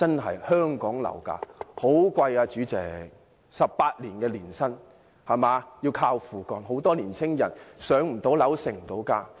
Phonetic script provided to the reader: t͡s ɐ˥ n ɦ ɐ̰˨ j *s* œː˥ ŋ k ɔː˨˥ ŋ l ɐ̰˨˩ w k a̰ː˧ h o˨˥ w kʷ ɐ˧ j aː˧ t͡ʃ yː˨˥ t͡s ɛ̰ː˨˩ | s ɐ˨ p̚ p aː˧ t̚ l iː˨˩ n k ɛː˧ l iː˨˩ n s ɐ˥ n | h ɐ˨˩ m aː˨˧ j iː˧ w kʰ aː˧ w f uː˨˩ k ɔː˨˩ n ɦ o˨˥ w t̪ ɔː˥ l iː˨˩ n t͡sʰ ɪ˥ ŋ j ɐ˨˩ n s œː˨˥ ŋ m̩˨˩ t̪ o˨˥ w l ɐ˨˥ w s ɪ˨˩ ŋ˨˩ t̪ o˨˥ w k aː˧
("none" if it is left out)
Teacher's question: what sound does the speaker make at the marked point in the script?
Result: h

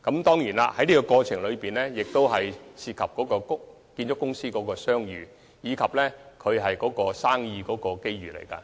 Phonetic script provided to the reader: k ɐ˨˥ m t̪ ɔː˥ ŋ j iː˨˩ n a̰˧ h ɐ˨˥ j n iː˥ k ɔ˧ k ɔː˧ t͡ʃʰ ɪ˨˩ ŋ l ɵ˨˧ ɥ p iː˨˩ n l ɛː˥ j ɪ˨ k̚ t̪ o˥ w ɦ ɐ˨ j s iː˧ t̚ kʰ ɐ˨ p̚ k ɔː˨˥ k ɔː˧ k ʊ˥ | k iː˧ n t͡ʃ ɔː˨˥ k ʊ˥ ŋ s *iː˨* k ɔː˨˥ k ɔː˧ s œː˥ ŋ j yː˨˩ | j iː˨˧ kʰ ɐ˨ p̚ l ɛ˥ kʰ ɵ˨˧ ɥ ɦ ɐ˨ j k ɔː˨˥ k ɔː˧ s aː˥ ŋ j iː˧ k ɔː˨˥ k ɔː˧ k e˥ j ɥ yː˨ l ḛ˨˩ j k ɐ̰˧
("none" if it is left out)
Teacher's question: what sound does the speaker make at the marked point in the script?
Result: iː˥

